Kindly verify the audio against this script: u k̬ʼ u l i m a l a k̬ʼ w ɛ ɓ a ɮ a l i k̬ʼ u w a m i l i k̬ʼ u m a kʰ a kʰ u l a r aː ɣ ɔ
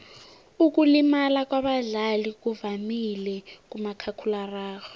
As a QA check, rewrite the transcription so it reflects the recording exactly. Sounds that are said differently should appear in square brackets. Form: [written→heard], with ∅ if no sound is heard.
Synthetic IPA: u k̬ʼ u l i m a l a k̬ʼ w [ɛ→a] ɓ a ɮ a l i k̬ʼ u [w→v] a m i l [i→ɛ] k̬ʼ u m a kʰ a kʰ u l a r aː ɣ ɔ